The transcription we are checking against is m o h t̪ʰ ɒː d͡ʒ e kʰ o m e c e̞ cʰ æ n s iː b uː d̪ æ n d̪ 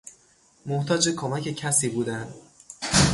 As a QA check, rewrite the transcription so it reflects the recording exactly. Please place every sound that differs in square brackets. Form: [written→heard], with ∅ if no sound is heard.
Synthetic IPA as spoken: m o h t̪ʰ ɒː d͡ʒ e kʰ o m [e→æ] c e̞ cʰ æ [n→∅] s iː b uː d̪ æ n d̪